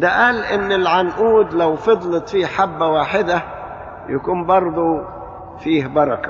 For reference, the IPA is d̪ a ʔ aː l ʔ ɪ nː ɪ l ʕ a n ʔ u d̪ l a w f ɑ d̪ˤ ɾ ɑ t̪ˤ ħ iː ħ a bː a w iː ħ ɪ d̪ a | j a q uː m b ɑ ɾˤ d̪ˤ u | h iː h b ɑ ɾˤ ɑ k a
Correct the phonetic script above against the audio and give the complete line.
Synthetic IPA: d̪ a ʔ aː l ʔ ɪ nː ɪ l ʕ a n ʔ uː d̪ l a w f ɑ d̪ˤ l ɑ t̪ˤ f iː ħ a bː a w aː ħ ɪ d̪ a | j a k uː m b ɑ ɾˤ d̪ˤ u | f iː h b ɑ ɾˤ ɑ k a